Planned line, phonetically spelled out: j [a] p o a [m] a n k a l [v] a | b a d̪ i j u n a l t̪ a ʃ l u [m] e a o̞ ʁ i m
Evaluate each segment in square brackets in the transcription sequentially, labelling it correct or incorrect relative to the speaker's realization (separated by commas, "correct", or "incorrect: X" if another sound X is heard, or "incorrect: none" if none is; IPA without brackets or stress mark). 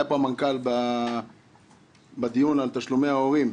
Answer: correct, correct, incorrect: b, correct